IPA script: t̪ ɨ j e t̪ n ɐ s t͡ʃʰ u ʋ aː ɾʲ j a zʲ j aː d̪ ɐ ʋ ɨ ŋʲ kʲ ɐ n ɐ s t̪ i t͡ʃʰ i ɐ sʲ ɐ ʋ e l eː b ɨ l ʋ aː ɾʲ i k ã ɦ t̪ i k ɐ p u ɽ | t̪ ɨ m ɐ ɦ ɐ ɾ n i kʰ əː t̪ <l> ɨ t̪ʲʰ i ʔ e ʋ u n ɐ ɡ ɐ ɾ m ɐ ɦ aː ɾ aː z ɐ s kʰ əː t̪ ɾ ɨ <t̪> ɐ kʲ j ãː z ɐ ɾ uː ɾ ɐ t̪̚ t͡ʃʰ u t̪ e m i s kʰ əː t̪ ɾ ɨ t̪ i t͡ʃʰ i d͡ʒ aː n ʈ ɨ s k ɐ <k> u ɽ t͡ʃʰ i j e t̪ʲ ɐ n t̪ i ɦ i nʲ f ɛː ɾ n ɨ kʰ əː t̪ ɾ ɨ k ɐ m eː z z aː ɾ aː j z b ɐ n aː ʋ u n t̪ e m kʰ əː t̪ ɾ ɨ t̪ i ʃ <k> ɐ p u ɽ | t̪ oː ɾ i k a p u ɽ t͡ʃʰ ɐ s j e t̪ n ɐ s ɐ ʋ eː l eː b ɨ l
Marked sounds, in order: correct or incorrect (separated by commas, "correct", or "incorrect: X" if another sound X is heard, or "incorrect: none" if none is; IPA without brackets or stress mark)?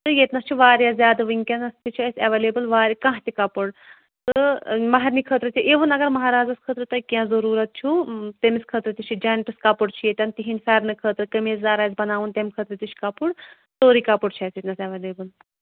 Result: incorrect: ɾ, correct, incorrect: p, correct